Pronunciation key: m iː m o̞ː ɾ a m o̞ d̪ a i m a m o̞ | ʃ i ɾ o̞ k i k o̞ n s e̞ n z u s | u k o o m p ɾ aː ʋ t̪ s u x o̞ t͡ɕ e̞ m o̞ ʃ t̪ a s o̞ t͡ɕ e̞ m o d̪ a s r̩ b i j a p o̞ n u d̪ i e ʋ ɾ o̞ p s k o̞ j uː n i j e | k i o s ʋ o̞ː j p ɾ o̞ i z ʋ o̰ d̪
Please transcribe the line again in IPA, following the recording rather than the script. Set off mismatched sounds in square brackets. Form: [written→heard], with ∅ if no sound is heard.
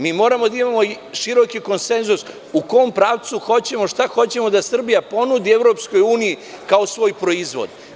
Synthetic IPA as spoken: m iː m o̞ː ɾ a m o̞ d̪ a i m a m o̞ | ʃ i ɾ o̞ k i k o̞ n s e̞ n z u s | u k o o m p ɾ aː ʋ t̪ s u x o̞ t͡ɕ e̞ m o̞ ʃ t̪ a [s→x] o̞ t͡ɕ e̞ m o d̪ a s r̩ b i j a p o̞ n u d̪ i e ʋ ɾ o̞ p s k o̞ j uː n i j [e→i] | k [i→a] o s ʋ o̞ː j p ɾ o̞ i z ʋ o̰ d̪